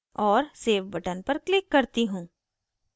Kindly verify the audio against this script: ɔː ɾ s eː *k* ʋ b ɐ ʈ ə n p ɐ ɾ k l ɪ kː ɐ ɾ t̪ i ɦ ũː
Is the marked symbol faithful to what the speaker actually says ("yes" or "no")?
no